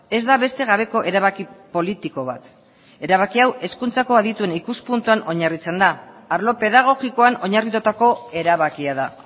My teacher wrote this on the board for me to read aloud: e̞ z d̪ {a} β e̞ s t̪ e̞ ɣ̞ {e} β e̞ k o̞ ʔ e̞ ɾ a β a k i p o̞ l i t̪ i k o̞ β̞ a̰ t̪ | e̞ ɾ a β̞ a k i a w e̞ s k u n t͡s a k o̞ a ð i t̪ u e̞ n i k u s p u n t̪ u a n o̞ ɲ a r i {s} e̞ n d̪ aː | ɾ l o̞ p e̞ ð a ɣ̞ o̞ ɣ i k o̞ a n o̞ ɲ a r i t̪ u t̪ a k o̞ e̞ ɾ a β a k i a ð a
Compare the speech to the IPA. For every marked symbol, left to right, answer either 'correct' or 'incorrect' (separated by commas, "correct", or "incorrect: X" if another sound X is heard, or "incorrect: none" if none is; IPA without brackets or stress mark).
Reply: correct, incorrect: a, incorrect: t͡s